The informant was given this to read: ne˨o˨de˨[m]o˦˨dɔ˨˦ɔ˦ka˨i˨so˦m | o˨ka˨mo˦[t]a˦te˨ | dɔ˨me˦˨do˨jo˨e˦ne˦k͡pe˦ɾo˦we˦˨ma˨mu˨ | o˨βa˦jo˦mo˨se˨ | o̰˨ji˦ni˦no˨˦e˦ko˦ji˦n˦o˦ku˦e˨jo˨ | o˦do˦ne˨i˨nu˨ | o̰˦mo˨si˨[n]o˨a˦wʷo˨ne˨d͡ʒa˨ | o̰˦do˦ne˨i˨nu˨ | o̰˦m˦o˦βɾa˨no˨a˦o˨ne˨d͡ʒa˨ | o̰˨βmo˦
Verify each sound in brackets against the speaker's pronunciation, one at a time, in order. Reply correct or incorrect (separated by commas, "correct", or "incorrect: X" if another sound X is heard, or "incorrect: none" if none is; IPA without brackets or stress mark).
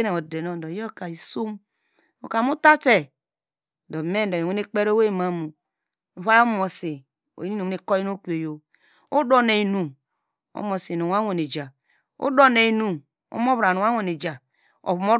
incorrect: n, correct, correct